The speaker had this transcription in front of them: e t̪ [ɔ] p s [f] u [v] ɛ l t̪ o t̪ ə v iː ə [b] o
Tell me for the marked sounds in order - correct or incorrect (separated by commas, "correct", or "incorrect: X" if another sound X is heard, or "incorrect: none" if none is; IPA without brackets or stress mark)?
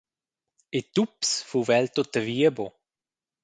incorrect: u, correct, correct, correct